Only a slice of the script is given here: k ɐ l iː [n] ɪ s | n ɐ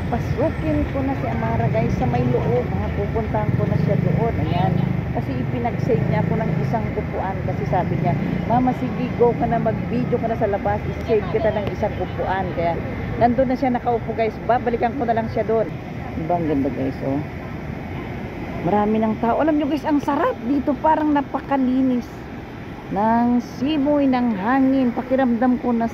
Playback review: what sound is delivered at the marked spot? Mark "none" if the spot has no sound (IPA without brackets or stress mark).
n